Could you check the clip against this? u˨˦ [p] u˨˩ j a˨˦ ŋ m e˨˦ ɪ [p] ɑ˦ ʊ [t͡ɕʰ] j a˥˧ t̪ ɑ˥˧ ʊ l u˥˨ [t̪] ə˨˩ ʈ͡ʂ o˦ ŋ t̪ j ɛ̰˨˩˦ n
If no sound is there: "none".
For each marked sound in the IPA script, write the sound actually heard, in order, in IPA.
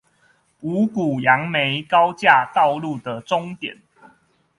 k, k, t͡ɕ, d̪

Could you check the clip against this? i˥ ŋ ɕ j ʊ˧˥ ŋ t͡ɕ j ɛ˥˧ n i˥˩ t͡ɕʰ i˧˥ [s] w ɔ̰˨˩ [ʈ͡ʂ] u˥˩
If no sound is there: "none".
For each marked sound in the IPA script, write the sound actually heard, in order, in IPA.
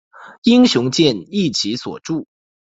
s, ʈ͡ʂ

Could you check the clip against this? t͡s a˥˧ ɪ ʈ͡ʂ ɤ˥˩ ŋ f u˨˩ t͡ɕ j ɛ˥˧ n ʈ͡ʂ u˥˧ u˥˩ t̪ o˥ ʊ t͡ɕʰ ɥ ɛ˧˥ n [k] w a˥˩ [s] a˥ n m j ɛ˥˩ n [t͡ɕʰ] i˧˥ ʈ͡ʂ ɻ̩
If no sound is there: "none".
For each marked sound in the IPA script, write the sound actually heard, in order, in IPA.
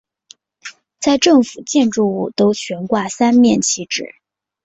k, s, t͡ɕʰ

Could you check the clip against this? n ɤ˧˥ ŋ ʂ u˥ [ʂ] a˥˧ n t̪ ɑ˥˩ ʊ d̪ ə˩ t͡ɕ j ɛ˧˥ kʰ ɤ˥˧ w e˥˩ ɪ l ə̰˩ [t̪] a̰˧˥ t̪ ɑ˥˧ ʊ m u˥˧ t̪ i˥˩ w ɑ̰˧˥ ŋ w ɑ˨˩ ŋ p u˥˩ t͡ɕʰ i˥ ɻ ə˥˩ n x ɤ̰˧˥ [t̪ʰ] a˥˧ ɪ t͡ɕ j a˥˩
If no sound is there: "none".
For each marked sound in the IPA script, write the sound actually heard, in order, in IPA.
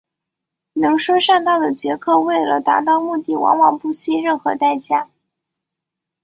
ʂ, t̪, t̪

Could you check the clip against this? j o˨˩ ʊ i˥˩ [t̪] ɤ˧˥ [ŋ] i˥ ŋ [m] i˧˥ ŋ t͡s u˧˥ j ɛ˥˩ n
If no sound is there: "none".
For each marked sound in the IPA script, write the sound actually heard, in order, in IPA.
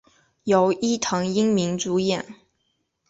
t̪ʰ, ŋ, m

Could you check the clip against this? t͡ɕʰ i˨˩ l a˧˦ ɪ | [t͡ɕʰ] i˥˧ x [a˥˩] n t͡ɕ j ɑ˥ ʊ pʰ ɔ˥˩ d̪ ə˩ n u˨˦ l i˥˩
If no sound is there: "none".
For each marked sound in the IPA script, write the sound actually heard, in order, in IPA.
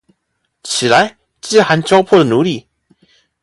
t͡ɕ, a˧˦

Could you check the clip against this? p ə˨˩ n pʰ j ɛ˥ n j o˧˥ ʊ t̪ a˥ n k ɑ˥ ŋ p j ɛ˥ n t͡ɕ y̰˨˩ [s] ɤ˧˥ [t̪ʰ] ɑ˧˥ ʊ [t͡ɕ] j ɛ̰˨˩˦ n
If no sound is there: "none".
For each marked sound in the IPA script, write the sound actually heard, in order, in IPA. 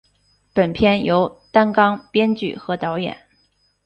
x, t̪, none

